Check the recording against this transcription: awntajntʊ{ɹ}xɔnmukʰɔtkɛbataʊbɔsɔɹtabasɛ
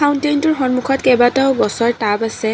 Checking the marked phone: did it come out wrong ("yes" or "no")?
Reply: no